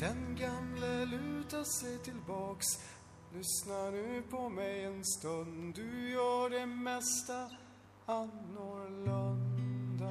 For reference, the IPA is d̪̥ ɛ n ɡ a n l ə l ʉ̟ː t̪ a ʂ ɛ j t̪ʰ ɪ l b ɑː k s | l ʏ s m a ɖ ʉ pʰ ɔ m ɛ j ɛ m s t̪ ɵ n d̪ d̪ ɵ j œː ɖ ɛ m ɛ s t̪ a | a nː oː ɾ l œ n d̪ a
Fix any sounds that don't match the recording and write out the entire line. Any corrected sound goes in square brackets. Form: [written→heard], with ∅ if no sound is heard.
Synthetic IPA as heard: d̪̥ ɛ n ɡ a [n→m] l ə l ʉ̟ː t̪ a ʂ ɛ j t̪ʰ ɪ l b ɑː k s | l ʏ s [m→n] a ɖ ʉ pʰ ɔ m ɛ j ɛ [m→n] s t̪ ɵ n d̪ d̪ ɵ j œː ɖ ɛ m ɛ s t̪ a | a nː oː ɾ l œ n d̪ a